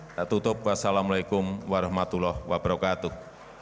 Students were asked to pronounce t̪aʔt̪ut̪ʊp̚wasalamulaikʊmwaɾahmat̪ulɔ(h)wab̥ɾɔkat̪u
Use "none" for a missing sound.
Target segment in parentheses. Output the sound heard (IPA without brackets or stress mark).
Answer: h